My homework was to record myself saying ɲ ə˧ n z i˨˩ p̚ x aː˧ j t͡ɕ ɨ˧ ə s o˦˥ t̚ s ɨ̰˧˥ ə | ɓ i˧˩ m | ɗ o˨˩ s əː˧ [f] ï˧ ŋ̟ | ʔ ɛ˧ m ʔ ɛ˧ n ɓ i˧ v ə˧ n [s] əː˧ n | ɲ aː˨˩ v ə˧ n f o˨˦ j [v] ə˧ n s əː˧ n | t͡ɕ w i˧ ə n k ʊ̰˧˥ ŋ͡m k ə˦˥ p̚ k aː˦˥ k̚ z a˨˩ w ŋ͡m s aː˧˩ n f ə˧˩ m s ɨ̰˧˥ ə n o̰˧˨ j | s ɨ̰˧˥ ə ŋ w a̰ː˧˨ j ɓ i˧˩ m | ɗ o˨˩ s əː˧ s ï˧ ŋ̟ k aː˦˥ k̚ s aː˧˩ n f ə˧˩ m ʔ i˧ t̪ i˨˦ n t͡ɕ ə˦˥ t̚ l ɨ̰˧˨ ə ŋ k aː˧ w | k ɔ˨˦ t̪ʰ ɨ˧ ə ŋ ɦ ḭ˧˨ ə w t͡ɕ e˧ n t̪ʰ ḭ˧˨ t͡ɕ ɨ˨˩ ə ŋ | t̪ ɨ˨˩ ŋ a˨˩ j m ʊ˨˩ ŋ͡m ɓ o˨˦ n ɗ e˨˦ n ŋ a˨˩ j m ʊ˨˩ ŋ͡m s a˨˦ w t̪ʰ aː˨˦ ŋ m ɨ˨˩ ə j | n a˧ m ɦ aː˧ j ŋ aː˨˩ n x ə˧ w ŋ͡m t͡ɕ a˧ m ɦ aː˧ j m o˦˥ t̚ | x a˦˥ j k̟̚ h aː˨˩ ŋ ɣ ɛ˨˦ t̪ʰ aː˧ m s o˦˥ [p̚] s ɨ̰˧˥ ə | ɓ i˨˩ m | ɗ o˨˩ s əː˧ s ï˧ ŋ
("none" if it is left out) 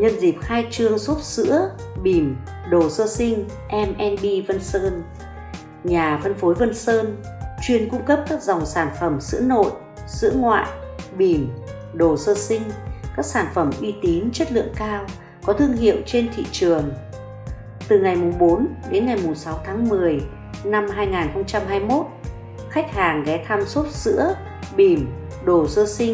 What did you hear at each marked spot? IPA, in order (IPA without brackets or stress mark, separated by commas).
s, s, v, t̚